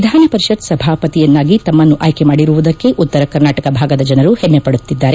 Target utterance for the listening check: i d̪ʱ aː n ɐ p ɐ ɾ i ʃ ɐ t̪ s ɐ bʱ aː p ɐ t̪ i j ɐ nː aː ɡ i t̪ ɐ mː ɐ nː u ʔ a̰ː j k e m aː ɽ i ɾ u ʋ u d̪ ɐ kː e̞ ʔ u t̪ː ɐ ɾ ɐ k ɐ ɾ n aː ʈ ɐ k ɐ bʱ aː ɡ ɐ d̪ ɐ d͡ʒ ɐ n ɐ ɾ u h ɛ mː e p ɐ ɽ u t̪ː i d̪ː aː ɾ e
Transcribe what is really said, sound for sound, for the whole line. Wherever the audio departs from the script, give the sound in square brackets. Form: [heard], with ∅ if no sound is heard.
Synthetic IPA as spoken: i d̪ʱ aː n ɐ p ɐ ɾ i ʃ ɐ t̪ s ɐ bʱ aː p ɐ t̪ i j ɐ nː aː ɡ i t̪ ɐ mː ɐ nː u ʔ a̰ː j k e m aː ɽ i ɾ u ʋ u d̪ ɐ kː e̞ ʔ u t̪ː ɐ ɾ ɐ k ɐ ɾ n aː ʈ ɐ k ɐ bʱ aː ɡ ɐ d̪ ɐ d͡ʒ ɐ n ɐ ɾ u h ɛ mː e p ɐ ɽ u t̪ː i d̪ː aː ɾ e